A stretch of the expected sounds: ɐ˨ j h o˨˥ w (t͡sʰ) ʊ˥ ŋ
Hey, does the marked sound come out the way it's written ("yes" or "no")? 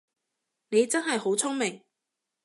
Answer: yes